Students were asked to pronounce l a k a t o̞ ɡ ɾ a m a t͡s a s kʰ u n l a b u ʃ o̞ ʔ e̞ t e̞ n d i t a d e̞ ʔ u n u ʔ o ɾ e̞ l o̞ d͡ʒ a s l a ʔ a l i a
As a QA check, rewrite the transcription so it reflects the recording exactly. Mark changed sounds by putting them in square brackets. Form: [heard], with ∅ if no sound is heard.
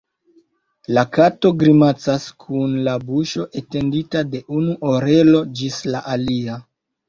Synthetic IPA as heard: l a k a t o̞ ɡ ɾ [i] m a t͡s a s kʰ u n l a b u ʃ o̞ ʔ e̞ t e̞ n d i t a d e̞ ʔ u n u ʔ o ɾ e̞ l o̞ d͡ʒ [i] s l a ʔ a l i a